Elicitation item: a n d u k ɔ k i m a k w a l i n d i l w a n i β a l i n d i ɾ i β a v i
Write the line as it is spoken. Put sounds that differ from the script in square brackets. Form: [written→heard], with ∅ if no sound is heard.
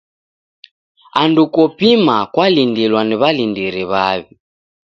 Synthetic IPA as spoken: a n d u k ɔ [k→p] i m a k w a l i n d i l w a n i β a l i n d i ɾ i β a [v→β] i